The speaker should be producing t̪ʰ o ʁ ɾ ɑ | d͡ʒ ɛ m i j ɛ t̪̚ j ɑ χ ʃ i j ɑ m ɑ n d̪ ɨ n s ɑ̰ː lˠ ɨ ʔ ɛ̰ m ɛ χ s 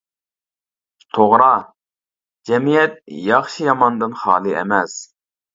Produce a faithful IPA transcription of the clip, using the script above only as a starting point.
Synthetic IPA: t̪ʰ o ʁ ɾ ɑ | d͡ʒ ɛ m i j ɛ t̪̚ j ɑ χ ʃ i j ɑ m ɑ n d̪ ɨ n χ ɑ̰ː lˠ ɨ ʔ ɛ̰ m ɛ s